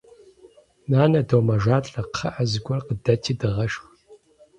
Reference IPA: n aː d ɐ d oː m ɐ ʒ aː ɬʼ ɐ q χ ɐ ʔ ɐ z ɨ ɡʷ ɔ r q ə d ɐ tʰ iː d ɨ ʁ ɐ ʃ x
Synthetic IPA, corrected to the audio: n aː n ɐ d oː m ɐ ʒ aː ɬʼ ɐ q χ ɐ ʔ ɐ z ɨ ɡʷ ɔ r q ə d ɐ tʰ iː d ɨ ʁ ɐ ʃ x